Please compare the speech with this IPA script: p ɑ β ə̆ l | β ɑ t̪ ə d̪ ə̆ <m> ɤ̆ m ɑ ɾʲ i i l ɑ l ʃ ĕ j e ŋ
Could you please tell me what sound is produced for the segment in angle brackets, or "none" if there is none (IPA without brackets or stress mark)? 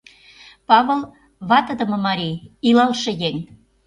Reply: m